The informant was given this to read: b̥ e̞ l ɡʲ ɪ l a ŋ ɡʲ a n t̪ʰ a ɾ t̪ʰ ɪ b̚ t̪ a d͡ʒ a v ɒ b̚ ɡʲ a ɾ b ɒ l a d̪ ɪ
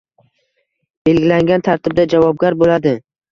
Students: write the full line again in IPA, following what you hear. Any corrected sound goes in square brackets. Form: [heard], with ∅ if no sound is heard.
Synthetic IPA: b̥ e̞ l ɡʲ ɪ l a ŋ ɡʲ a n t̪ʰ a ɾ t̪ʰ ɪ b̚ [d̪] a d͡ʒ a v ɒ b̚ ɡʲ a ɾ b [o] l a d̪ ɪ

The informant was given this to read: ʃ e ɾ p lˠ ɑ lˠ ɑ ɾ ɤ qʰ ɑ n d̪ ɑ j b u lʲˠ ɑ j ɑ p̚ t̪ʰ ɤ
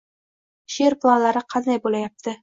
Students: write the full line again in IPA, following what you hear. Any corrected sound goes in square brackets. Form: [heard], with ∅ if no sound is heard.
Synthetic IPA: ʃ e ɾ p lˠ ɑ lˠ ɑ ɾ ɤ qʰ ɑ n d̪ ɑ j b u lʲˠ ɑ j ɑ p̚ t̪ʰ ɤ

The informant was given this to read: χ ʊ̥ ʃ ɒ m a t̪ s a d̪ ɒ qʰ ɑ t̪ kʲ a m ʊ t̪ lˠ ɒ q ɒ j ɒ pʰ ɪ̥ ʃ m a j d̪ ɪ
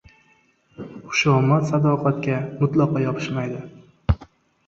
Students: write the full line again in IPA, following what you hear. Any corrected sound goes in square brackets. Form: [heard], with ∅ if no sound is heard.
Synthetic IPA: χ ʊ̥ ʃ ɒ m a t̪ s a d̪ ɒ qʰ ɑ t̪ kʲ a m ʊ t̪ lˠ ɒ q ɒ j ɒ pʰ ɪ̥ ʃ m a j d̪ ɪ

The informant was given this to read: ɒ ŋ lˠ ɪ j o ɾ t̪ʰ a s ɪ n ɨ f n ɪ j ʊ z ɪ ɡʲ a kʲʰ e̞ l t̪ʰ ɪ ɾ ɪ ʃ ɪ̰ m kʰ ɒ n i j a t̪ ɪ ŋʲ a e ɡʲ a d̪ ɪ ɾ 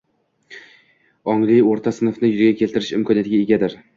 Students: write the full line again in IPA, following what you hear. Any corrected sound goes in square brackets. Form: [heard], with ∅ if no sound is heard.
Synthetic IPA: ɒ ŋ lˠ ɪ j o ɾ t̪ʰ a s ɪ n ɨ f n ɪ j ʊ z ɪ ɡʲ a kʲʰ e̞ l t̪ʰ ɪ ɾ ɪ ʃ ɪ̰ m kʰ ɒ n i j a t̪ ɪ [ɡʲ] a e ɡʲ a d̪ ɪ ɾ

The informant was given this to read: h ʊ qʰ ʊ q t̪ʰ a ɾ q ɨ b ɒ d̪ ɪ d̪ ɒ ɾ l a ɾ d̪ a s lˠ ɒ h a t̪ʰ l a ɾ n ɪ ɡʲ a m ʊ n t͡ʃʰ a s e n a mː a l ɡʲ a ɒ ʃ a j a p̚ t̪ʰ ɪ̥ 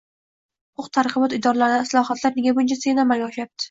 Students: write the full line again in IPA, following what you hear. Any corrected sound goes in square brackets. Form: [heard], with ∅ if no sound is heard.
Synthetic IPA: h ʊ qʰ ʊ q t̪ʰ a ɾ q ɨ b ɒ [t̪] ɪ d̪ ɒ ɾ l a ɾ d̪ a s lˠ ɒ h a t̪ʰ l a ɾ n ɪ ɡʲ a [b] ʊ n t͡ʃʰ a s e n a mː a l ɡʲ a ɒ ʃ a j a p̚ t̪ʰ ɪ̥

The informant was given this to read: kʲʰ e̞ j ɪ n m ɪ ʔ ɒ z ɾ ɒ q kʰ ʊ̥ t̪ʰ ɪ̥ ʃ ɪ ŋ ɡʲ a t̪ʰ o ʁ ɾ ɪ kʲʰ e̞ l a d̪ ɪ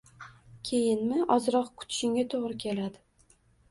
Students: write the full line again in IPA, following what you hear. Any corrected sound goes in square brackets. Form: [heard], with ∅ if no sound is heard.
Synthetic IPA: kʲʰ e̞ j ɪ n m ɪ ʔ ɒ z ɾ ɒ q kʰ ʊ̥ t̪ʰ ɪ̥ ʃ ɪ ŋ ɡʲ a t̪ʰ o ʁ ɾ ɪ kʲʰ e̞ l a d̪ ɪ

